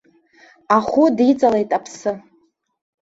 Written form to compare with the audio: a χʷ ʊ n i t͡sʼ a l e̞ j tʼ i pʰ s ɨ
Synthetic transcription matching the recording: a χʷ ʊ d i t͡sʼ a l e̞ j tʼ a pʰ s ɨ